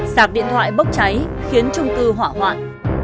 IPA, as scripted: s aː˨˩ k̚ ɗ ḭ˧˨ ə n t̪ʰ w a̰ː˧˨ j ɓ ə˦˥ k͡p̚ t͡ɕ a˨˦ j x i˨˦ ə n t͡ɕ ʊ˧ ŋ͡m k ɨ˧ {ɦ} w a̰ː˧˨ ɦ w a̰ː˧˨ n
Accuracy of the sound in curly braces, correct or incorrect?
correct